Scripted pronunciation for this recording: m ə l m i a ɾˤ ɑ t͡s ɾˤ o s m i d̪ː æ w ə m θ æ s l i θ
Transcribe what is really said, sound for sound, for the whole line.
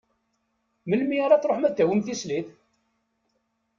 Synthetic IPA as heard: m ə l m i a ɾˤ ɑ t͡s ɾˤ o ħ m æ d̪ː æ w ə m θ i s l i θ